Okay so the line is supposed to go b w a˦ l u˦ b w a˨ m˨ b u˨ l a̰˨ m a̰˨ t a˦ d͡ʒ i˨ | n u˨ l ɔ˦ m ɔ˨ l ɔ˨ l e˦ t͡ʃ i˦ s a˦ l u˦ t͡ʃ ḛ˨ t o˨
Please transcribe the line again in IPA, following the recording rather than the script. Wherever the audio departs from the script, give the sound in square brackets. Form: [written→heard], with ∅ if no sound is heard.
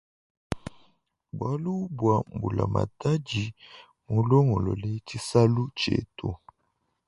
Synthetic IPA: b w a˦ l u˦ b w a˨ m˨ b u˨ l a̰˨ m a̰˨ t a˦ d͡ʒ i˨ | [n→m] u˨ l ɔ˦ [m→ŋ] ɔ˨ l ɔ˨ l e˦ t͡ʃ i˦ s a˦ l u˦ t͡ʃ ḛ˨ t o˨

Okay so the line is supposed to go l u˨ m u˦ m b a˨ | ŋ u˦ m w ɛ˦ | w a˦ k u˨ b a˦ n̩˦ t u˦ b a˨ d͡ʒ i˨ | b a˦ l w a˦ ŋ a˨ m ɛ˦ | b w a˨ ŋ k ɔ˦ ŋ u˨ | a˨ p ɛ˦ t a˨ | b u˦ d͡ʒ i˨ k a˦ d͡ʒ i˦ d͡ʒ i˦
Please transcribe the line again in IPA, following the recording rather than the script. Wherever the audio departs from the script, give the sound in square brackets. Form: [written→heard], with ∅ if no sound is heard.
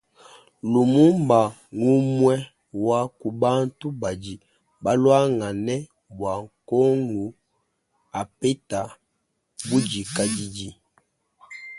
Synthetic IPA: l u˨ m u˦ m b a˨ | ŋ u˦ m w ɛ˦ | w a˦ k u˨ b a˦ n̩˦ t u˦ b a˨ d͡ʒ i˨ | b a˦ l w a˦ ŋ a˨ [m→n] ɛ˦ | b w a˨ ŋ k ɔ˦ ŋ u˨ | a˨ p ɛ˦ t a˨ | b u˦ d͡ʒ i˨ k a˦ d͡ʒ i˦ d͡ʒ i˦

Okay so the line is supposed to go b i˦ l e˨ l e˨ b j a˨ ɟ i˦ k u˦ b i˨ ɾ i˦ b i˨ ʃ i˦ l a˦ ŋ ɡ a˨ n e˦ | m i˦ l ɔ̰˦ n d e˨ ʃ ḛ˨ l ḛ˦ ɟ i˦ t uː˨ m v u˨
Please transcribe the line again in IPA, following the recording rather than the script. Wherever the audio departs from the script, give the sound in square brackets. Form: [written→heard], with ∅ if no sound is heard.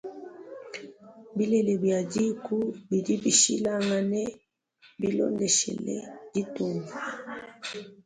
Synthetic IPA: b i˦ l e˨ l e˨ b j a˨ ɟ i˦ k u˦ b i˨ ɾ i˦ b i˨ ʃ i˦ l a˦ ŋ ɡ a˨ n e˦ | [m→b] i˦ l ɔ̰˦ n d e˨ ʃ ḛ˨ l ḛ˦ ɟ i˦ t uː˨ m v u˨

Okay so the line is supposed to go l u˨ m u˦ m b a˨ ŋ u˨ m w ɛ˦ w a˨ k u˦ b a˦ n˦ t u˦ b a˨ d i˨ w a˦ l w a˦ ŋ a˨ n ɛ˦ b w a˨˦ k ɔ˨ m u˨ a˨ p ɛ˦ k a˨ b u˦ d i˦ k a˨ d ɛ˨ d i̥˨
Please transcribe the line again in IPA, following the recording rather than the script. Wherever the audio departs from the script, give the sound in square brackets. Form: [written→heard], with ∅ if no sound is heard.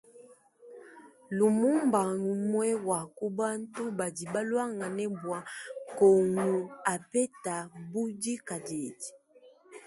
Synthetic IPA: l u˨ m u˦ m b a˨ ŋ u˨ m w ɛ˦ w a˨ k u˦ b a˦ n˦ t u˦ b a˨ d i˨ [w→b] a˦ l w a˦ ŋ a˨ n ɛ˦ b w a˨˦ k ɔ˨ [m→ŋ] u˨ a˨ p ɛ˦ [k→t] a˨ b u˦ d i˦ k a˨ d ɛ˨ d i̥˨

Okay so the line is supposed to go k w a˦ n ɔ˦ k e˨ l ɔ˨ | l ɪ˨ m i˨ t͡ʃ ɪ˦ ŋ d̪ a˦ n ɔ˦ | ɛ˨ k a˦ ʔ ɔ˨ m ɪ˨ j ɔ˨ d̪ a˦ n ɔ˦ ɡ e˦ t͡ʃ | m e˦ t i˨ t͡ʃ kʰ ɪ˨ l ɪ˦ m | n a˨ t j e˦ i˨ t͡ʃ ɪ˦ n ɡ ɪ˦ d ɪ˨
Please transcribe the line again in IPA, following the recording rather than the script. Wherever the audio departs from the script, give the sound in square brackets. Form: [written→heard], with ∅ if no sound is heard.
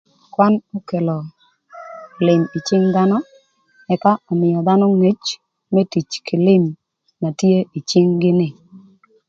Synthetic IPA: k w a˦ n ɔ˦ k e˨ l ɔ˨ | l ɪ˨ m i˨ t͡ʃ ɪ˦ ŋ d̪ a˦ n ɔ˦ | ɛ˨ k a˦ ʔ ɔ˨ m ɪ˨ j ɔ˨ d̪ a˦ n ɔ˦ [ɡ→ŋ] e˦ t͡ʃ | m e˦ t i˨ t͡ʃ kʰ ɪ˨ l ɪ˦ m | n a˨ t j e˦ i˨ t͡ʃ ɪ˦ [n→ŋ] ɡ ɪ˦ [d→n] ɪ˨

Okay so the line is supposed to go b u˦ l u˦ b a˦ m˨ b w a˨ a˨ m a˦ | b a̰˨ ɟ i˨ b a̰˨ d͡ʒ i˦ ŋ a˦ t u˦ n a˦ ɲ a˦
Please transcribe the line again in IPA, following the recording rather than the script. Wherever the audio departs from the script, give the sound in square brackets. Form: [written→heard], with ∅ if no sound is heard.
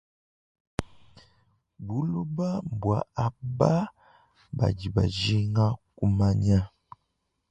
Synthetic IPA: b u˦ l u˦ b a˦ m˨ b w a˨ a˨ [m→b] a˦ | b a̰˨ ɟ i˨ b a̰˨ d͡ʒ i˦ ŋ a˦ [t→k] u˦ [n→m] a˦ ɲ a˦

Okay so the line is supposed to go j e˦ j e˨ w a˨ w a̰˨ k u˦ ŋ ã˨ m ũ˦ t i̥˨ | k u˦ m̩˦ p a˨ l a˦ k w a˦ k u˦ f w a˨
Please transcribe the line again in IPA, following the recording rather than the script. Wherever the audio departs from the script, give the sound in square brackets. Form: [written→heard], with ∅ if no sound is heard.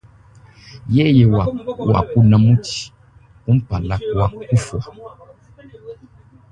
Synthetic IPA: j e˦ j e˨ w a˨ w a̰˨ k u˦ [ŋ→n] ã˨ m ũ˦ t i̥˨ | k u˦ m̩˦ p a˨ l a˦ k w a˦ k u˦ f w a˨

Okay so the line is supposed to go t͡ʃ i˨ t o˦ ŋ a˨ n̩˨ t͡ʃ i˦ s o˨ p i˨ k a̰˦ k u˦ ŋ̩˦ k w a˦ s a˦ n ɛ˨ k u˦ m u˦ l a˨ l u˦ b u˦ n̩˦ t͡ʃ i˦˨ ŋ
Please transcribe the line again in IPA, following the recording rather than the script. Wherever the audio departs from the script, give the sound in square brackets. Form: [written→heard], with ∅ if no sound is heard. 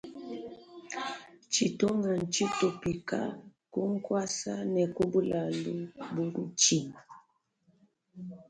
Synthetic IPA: t͡ʃ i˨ t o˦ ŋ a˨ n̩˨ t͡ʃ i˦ [s→t] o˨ p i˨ k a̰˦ k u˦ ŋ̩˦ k w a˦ s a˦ n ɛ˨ k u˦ [m→b] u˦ l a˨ l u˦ b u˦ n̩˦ t͡ʃ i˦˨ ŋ

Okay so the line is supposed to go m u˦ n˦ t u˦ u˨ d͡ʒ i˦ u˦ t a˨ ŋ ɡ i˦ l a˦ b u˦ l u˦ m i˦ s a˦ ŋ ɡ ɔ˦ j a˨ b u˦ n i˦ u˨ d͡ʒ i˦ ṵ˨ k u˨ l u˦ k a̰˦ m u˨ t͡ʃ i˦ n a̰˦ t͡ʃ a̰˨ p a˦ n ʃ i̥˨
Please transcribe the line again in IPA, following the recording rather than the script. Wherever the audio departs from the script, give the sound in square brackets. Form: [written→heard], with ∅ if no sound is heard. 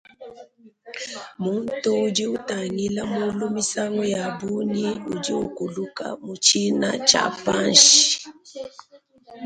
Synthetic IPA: m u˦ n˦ t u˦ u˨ d͡ʒ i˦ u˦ t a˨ ŋ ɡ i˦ l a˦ [b→m] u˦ l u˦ m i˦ s a˦ ŋ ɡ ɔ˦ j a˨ b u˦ n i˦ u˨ d͡ʒ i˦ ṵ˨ k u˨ l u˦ k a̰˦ m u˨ t͡ʃ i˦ n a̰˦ t͡ʃ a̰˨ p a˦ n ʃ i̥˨

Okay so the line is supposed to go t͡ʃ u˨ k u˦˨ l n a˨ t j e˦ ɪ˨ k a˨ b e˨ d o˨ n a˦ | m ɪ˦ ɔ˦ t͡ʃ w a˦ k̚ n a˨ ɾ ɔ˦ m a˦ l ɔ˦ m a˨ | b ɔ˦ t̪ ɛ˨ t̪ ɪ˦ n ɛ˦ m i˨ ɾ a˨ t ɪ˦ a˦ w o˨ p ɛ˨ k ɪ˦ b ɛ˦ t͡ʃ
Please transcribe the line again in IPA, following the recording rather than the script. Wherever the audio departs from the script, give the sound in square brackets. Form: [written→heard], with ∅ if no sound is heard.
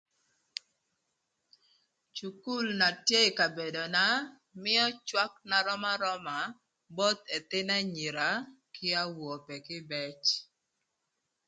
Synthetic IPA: t͡ʃ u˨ k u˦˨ l n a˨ t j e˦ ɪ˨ k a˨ b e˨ d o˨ n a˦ | m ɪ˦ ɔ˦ t͡ʃ w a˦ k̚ n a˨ ɾ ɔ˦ m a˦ [l→ɾ] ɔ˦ m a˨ | b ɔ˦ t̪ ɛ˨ t̪ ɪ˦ n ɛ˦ [m→ɲ] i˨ ɾ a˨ [t→k] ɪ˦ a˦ w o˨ p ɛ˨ k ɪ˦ b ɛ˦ t͡ʃ

